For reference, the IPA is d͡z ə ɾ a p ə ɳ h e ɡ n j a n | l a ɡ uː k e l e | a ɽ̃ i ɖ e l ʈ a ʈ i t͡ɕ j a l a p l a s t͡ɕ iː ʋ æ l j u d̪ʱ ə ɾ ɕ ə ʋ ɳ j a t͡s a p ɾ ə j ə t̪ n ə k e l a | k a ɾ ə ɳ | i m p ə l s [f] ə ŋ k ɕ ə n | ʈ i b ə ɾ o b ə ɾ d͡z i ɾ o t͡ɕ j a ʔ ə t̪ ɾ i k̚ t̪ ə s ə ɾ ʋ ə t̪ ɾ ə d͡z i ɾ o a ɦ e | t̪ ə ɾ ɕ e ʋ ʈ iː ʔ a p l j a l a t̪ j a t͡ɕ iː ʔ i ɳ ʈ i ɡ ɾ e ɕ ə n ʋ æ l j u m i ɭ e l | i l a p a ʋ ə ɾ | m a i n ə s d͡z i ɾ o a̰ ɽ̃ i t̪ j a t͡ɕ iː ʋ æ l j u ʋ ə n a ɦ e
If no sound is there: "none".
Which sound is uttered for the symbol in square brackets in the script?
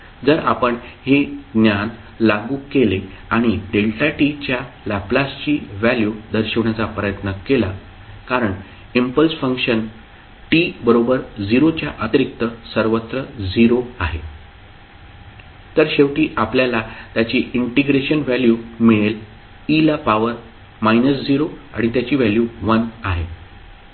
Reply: f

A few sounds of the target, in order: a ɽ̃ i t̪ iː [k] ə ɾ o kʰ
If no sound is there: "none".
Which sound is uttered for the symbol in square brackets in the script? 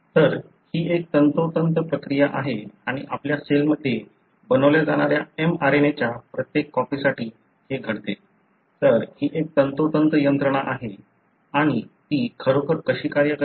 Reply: kʰ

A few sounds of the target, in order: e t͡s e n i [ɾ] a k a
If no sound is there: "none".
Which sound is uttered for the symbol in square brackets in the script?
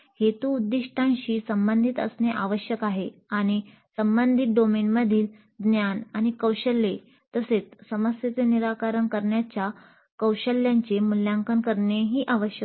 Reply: ɾ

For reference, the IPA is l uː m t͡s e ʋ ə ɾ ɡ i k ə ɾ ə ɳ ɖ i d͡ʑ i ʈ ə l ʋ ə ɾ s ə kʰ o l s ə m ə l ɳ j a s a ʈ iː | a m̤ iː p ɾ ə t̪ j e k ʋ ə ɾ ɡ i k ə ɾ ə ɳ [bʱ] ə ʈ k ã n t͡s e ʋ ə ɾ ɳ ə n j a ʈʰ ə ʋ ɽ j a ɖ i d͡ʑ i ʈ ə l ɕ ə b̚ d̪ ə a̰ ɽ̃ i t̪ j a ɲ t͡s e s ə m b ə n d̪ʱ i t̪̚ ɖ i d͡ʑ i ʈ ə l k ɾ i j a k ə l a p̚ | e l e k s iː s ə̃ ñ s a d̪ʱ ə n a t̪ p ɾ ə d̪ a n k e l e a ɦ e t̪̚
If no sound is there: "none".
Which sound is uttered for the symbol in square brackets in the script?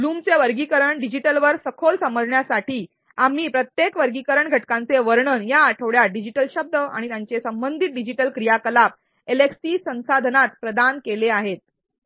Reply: ɡʱ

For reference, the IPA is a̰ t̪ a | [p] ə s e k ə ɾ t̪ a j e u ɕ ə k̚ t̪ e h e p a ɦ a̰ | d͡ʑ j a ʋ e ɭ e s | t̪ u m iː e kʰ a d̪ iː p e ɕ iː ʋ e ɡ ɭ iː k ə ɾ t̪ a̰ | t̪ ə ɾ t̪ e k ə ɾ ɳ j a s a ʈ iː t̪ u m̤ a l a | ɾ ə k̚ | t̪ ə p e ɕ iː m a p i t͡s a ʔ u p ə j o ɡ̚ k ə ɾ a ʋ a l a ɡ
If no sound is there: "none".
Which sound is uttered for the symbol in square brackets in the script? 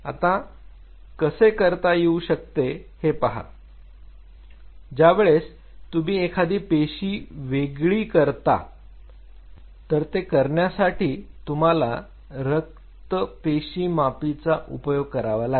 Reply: k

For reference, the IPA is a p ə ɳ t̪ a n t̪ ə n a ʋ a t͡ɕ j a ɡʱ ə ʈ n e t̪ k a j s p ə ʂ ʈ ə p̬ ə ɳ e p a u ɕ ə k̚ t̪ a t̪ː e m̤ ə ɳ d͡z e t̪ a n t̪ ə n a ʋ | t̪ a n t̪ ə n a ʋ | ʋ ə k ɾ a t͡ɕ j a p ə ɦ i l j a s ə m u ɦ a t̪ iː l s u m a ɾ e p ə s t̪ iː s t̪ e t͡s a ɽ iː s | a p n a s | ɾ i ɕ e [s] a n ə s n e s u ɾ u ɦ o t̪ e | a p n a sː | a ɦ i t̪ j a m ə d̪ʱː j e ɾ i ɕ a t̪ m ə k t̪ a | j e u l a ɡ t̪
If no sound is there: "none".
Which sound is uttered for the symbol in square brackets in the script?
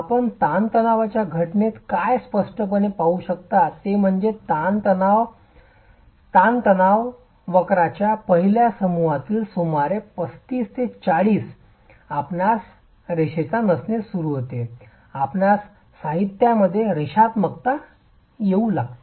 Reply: t͡s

